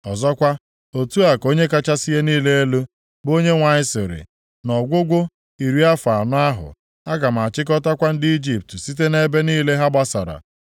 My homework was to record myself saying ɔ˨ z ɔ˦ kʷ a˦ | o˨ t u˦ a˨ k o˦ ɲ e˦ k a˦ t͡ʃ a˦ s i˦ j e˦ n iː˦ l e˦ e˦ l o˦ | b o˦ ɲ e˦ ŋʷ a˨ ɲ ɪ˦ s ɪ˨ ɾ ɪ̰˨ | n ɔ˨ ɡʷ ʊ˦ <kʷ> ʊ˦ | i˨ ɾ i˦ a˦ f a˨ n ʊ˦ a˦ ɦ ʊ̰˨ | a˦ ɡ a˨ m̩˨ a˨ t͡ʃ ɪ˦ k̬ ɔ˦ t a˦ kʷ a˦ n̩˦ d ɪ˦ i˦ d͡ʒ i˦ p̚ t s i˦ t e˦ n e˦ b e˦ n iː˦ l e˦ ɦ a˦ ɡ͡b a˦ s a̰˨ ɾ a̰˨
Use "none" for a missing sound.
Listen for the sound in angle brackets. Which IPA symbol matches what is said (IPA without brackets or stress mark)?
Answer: ɡʷ